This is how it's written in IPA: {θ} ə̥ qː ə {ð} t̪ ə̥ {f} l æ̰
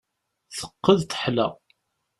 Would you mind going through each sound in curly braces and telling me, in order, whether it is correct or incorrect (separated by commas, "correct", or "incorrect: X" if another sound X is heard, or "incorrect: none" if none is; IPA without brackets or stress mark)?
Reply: correct, correct, incorrect: ħ